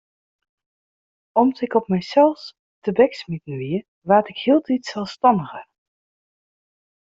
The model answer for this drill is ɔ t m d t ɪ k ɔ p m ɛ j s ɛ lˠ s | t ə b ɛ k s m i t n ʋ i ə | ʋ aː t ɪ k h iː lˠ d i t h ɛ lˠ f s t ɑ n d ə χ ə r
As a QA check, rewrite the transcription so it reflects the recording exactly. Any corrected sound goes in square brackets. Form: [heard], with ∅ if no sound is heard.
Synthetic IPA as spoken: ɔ [∅] m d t ɪ k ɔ p m ɛ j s ɛ lˠ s | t ə b ɛ k s m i t n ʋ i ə | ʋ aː t ɪ k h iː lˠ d i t [s] ɛ lˠ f s t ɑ n d ə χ ə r